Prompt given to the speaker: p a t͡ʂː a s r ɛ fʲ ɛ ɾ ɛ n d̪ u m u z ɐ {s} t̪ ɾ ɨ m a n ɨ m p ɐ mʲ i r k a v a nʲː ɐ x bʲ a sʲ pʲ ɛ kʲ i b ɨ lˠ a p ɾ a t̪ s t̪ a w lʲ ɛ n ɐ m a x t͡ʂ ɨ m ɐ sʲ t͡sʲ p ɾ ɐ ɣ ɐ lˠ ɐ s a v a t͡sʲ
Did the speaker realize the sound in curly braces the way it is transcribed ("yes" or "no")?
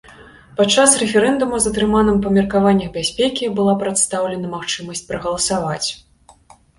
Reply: no